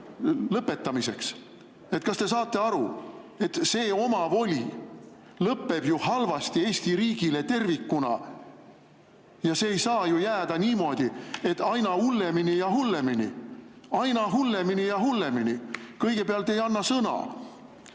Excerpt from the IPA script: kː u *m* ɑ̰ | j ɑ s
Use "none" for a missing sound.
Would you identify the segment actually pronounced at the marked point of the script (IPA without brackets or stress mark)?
n